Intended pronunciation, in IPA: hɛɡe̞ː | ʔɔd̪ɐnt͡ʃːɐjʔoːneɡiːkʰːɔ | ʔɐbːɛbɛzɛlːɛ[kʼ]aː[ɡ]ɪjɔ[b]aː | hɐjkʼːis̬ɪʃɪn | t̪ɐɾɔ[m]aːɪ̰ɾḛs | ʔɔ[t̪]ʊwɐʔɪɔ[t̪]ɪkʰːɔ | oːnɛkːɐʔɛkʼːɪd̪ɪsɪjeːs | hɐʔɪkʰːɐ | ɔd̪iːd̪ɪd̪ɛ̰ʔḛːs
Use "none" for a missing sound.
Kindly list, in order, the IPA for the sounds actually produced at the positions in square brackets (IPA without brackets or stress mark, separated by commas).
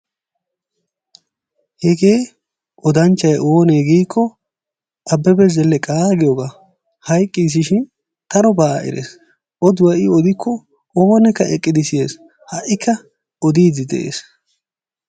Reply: kʼ, ɡ, ɡ, b, d̪, d̪